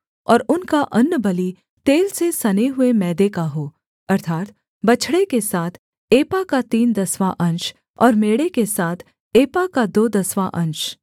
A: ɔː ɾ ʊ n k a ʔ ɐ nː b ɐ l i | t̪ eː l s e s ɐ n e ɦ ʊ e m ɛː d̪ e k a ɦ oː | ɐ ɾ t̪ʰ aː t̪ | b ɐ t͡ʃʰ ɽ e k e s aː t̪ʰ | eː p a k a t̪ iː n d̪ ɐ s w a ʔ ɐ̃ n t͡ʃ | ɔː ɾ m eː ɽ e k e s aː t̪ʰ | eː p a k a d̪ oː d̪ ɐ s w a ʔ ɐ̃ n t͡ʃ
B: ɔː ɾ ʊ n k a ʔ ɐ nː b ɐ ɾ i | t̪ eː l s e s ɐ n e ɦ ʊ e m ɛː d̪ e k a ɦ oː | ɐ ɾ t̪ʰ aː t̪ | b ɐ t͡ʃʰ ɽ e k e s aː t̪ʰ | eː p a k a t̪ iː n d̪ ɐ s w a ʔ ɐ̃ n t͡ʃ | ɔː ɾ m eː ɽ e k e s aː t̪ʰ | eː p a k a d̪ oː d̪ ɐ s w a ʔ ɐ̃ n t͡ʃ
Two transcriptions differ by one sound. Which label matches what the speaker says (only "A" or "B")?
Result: A